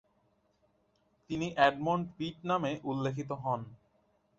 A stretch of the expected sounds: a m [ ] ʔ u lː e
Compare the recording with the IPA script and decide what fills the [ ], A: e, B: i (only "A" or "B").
A